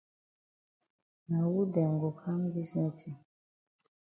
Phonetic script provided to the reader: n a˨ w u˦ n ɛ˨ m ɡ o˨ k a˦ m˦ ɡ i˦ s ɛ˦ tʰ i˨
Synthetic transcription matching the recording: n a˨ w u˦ d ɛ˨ ŋ ɡ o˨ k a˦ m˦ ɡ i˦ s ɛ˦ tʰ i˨